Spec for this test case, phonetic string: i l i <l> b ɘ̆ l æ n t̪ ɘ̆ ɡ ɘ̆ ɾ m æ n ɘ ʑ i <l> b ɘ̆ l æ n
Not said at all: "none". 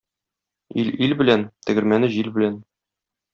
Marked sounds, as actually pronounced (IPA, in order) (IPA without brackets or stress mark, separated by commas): l, l